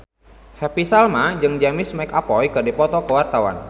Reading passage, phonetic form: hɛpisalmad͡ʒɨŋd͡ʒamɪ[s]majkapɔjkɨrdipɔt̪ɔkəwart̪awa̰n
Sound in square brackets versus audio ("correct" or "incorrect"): correct